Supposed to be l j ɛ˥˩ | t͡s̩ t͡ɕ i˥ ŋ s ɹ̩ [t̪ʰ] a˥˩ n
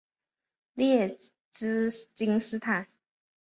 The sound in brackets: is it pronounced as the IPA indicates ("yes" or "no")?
yes